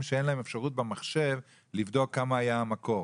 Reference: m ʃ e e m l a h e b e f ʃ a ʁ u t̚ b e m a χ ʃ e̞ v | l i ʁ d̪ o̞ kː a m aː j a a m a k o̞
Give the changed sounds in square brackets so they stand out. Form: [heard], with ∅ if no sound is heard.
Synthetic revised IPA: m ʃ e e [n] l a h e [m] e f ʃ a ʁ u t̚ b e m a χ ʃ e̞ v | l i [v] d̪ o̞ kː a m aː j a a m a k o̞